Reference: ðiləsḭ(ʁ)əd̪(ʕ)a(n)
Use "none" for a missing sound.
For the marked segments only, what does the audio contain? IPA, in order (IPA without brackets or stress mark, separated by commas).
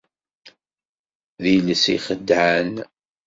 χ, ʕ, n